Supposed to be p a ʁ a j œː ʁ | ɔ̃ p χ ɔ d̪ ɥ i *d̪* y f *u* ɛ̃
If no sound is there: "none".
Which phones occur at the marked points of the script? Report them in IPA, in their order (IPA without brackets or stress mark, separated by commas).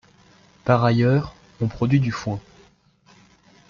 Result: d̪, w